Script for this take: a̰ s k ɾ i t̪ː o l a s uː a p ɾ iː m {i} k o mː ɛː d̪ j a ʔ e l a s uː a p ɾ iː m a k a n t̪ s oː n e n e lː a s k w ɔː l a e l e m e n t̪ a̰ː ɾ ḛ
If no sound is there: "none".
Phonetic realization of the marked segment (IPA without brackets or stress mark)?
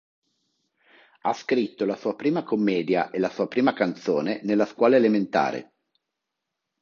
a